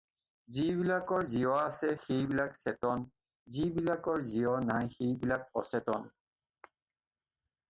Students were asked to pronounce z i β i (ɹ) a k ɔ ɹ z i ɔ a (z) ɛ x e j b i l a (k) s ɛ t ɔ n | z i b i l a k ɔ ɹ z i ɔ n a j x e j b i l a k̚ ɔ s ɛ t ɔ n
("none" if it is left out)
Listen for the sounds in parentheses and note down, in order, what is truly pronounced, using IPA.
l, s, k

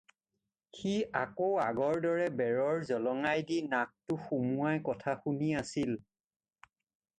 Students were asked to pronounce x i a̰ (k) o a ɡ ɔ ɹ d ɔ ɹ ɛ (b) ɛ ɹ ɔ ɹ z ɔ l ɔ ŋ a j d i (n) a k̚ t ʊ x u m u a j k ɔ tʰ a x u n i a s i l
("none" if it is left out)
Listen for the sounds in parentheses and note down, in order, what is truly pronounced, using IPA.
k, b, n

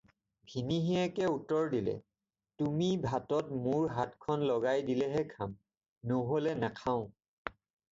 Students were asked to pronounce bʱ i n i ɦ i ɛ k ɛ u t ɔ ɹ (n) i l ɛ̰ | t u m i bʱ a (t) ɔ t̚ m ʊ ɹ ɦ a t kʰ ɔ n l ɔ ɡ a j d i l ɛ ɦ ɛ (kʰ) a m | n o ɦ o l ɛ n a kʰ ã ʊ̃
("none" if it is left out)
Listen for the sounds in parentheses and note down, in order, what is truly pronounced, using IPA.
d, t, kʰ

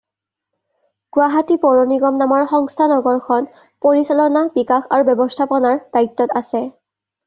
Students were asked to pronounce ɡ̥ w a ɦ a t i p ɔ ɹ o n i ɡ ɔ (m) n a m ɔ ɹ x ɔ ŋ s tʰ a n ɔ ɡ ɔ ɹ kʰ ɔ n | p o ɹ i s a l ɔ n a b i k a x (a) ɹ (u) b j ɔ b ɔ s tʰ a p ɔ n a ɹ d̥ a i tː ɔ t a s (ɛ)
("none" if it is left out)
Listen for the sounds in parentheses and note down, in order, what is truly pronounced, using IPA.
m, a, u, ɛ

